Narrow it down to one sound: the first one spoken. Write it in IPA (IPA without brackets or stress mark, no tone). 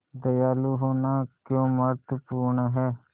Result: d̪